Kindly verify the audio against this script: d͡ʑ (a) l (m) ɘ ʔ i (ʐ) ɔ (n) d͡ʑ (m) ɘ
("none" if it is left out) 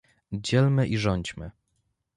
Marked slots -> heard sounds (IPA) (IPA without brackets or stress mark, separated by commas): ɛ, m, ʐ, ɲ, m